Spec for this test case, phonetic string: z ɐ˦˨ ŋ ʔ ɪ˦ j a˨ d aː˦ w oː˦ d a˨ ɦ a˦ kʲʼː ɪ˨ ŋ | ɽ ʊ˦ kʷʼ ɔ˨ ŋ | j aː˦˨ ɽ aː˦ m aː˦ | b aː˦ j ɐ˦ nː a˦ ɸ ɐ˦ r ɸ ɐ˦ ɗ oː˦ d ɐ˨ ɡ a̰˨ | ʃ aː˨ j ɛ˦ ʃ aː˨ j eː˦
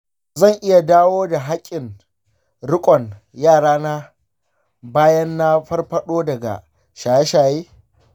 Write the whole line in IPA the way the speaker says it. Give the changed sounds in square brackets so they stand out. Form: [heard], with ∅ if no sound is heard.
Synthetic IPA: z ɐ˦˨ ŋ ʔ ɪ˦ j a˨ d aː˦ w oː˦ d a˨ ɦ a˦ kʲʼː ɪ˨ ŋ | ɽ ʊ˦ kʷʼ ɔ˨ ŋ | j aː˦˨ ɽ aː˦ [n] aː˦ | b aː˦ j ɐ˦ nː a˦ ɸ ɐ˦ r ɸ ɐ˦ ɗ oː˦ d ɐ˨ ɡ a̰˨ | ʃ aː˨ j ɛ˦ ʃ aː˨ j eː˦

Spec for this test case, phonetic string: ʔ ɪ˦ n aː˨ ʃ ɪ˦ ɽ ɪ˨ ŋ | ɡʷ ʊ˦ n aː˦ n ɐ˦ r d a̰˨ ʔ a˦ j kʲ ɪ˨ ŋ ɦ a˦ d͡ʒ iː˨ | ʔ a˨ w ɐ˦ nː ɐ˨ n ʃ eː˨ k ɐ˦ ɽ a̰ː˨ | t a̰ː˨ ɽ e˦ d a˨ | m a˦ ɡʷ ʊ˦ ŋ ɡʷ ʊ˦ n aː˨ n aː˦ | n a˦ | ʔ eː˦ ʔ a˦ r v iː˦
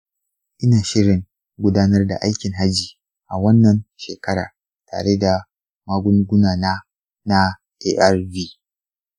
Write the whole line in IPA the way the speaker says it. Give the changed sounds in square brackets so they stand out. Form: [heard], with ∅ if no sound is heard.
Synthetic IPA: ʔ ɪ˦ n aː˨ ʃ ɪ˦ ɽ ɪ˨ ŋ | ɡʷ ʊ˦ [d] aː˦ n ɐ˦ r d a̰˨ ʔ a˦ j kʲ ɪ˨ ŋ ɦ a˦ d͡ʒ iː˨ | ʔ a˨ w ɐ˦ nː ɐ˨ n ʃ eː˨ k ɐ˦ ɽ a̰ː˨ | t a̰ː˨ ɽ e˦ d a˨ | m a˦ ɡʷ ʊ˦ ŋ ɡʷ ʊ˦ n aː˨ n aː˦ | n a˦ | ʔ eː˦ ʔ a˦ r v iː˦

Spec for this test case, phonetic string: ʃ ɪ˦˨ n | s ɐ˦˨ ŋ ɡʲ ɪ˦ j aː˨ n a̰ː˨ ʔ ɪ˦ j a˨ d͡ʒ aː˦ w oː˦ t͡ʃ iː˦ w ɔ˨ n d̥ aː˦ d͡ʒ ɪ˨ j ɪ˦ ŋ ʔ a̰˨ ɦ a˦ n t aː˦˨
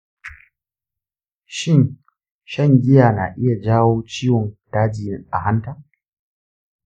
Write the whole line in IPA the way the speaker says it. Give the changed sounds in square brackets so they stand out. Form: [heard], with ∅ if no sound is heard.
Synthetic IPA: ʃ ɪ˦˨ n | [ʃ] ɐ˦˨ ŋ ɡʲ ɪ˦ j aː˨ n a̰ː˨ ʔ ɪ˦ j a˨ d͡ʒ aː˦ w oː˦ t͡ʃ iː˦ w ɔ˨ n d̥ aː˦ d͡ʒ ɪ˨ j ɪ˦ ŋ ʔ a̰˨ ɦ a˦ n t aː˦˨

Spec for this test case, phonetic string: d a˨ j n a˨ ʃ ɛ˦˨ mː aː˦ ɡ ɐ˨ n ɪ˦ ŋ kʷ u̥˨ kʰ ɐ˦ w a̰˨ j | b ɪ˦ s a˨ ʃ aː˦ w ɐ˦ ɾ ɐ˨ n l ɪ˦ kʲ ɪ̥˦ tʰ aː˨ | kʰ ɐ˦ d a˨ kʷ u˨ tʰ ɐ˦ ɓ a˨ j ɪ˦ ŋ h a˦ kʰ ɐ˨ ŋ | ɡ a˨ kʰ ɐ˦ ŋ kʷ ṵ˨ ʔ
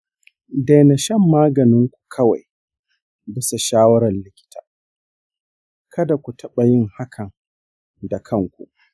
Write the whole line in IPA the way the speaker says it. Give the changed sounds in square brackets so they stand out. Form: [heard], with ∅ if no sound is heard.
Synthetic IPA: d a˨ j n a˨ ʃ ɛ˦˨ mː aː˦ ɡ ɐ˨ n ɪ˦ ŋ kʷ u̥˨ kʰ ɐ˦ w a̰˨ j | b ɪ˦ s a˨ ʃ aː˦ w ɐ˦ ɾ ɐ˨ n l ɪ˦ kʲ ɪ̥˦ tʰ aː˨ | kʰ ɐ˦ d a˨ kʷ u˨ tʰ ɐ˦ ɓ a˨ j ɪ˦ ŋ h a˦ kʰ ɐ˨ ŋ | [d] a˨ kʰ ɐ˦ ŋ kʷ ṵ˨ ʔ

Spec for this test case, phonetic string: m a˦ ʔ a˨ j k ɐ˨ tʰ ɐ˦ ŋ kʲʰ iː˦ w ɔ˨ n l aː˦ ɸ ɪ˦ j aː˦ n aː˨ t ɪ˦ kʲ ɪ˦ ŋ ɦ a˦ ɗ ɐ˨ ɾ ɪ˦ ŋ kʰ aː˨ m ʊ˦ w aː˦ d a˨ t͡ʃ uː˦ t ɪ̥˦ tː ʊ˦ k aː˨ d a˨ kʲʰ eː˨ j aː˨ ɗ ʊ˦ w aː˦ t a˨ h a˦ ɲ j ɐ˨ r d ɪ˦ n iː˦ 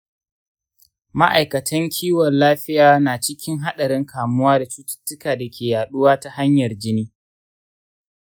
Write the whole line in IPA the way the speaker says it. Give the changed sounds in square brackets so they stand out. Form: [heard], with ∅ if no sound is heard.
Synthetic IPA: m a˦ ʔ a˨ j k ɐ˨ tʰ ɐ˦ ŋ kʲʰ iː˦ w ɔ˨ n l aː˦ ɸ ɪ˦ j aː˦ n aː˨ [t͡ʃ] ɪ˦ kʲ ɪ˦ ŋ ɦ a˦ ɗ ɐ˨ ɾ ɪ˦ ŋ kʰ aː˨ m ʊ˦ w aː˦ d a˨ t͡ʃ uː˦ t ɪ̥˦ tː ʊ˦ k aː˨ d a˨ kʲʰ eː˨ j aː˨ ɗ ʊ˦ w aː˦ t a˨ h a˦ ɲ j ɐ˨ r [d͡ʒ] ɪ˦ n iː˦

